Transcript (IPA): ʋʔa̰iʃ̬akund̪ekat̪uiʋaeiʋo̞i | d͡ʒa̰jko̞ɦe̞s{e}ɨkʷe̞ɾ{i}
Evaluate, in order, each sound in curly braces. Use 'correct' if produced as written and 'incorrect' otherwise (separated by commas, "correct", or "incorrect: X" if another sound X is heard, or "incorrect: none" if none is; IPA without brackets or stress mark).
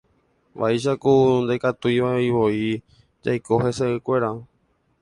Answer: correct, incorrect: a